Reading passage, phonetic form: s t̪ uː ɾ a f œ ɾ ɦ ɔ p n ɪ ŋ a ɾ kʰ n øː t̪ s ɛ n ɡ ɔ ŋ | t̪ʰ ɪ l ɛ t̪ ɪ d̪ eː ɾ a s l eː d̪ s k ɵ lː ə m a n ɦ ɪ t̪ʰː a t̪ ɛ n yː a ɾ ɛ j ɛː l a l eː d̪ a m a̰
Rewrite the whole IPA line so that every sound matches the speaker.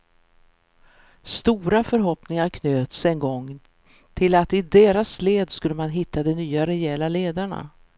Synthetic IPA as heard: s t̪ uː ɾ a f œ ɾ ɦ ɔ p n ɪ ŋ a ɾ kʰ n øː t̪ s ɛ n ɡ ɔ ŋ | t̪ʰ ɪ l a t̪ ɪ d̪ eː ɾ a s l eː d̪ s k ɵ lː ə m a n ɦ ɪ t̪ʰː a d̪ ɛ n yː a ɾ ɛ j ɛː l a l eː d̪ a ɳ a̰